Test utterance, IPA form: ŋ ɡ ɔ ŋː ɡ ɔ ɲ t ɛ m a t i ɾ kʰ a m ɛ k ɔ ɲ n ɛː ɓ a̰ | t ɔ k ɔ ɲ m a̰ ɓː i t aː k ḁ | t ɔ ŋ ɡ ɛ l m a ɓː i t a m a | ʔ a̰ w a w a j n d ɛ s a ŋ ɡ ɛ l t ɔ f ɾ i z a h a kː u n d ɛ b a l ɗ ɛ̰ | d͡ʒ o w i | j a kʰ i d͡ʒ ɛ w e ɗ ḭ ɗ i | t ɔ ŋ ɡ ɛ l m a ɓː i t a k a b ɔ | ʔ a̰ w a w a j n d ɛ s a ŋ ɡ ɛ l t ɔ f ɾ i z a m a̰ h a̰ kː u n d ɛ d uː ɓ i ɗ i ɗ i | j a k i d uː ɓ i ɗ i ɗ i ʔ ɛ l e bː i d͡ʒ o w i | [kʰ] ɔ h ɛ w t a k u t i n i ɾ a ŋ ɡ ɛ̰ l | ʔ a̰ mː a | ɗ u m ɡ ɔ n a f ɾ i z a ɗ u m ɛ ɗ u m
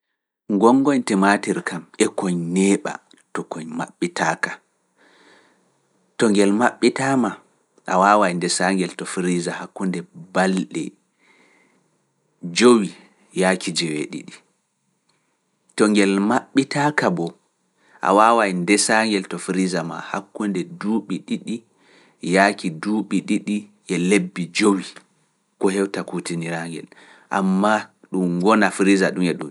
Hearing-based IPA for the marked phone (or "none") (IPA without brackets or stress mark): k